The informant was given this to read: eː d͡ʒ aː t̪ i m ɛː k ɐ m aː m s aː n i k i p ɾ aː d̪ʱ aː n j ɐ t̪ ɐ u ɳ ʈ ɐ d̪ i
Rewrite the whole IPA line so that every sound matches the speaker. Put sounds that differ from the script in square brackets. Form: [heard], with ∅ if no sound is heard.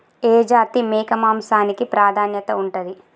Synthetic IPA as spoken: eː d͡ʒ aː t̪ i m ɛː k ɐ m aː m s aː n i k i p ɾ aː d̪ʱ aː n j ɐ t̪ ɐ u ɳ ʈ ɐ d̪ i